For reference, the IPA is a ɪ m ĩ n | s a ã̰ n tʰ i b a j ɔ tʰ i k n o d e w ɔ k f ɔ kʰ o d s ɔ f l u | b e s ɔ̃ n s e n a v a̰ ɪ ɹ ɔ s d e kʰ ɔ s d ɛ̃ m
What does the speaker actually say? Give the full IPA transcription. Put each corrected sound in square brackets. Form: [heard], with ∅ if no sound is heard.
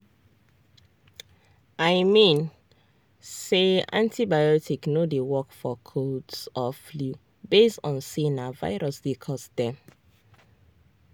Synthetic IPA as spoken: a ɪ m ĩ n | s [e] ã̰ n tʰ i b a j ɔ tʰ i k n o d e w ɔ k f ɔ kʰ o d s ɔ f l u | b e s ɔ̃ n s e n a v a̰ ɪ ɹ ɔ s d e kʰ ɔ s d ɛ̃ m